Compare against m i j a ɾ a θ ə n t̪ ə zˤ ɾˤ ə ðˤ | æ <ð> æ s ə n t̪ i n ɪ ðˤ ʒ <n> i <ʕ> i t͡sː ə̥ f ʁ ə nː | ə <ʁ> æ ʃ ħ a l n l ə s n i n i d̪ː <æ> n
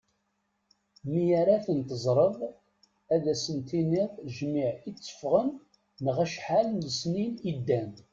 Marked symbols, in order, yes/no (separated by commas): yes, no, yes, yes, yes